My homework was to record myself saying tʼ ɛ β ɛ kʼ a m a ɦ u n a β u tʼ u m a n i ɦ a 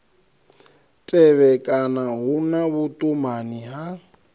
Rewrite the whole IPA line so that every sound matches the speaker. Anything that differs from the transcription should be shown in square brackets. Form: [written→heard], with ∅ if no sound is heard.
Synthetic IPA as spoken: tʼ ɛ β ɛ kʼ a [m→n] a ɦ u n a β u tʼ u m a n i ɦ a